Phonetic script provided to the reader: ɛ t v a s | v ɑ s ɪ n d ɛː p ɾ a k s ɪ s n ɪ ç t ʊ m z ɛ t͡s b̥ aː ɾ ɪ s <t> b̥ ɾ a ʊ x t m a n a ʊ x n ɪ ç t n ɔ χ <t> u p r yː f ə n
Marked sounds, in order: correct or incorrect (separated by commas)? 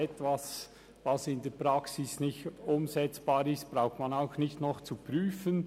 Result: correct, incorrect